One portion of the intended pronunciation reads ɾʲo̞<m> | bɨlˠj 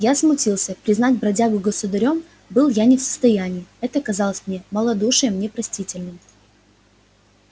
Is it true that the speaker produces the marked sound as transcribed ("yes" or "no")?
yes